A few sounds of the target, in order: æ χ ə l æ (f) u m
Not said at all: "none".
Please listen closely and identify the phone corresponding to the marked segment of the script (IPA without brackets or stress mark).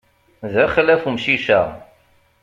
f